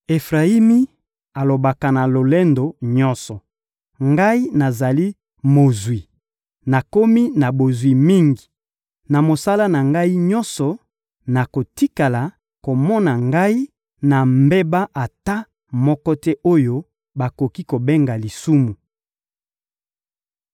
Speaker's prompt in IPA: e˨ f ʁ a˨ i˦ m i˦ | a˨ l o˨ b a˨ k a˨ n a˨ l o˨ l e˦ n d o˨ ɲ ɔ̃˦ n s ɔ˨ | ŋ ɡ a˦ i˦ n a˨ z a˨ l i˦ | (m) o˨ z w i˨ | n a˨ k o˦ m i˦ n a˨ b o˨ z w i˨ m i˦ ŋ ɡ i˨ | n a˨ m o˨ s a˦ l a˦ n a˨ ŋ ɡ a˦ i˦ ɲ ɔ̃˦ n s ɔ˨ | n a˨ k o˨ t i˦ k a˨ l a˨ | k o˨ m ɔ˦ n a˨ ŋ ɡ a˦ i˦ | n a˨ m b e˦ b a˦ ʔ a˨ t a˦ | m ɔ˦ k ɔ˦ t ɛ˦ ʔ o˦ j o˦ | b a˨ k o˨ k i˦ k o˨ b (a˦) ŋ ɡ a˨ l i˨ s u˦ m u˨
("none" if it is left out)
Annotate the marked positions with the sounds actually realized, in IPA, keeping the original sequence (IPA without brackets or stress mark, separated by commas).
m, e˦